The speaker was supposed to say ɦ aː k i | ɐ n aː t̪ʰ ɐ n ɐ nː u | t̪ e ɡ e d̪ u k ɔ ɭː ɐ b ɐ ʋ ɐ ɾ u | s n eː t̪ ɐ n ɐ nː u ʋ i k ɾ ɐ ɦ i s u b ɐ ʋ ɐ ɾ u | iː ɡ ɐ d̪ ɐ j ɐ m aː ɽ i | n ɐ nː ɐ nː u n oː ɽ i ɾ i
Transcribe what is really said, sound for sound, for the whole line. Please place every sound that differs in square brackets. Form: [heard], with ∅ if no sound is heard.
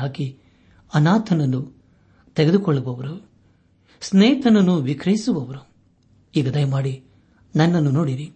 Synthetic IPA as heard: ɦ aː k i | ɐ n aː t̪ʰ ɐ n ɐ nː u | t̪ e ɡ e d̪ u k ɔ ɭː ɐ b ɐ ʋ ɐ ɾ u | s n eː t̪ ɐ n ɐ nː u ʋ i k ɾ ɐ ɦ i s u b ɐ ʋ ɐ ɾ u | iː ɡ ɐ d̪ ɐ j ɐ m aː ɽ i | n ɐ nː ɐ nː u n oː ɽ i ɾ i